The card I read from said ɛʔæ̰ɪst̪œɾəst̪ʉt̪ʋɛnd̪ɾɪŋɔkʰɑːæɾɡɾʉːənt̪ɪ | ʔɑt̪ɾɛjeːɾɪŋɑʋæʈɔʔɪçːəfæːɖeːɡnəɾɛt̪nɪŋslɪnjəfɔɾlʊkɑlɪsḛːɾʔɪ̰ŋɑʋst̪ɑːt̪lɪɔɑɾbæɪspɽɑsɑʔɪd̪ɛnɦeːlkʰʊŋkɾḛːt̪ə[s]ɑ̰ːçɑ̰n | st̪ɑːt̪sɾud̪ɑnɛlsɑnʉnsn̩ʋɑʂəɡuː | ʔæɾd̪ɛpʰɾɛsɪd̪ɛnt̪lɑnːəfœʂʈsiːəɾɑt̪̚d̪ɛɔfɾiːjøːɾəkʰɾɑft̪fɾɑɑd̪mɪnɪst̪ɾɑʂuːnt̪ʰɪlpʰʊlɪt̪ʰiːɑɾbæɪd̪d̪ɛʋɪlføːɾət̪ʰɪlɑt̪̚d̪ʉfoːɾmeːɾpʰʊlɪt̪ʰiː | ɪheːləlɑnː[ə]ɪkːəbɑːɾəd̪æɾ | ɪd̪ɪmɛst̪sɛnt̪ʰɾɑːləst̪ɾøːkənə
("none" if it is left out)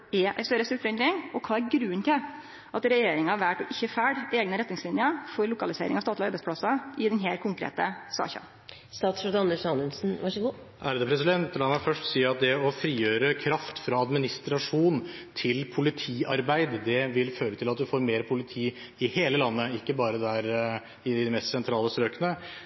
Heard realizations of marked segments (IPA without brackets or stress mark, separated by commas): s, ə